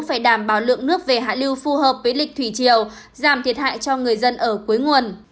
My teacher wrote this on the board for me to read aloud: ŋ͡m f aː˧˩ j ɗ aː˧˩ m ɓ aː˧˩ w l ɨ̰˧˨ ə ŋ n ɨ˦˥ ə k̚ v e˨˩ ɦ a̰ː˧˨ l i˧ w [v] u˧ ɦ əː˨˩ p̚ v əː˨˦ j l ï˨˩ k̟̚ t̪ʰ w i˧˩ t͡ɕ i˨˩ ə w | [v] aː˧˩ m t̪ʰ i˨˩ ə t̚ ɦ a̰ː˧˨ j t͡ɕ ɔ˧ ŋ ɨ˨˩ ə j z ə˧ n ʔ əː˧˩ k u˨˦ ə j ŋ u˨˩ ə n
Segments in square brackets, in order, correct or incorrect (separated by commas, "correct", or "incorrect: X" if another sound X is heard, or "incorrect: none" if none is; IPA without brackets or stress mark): incorrect: f, incorrect: z